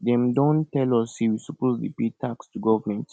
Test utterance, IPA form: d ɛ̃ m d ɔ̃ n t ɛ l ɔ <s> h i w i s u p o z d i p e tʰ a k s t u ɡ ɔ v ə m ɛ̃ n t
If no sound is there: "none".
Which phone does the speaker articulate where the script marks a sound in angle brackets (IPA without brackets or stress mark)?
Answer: s